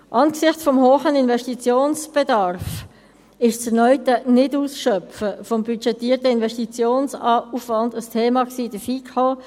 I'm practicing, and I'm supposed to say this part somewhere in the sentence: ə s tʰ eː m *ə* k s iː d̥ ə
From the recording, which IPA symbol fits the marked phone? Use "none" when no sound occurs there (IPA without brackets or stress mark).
ɑ